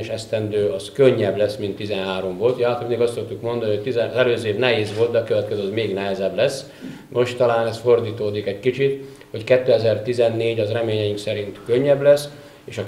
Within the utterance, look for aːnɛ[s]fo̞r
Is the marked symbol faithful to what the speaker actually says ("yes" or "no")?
yes